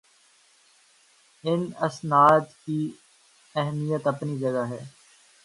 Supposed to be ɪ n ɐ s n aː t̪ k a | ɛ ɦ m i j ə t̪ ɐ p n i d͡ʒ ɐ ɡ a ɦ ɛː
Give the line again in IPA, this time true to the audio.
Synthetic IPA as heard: ɪ n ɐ s n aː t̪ k i | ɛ ɦ m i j ə t̪ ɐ p n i d͡ʒ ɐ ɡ a ɦ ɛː